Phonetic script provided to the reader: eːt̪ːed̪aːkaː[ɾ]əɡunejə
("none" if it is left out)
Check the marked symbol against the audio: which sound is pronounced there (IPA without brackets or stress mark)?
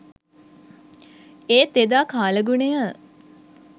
l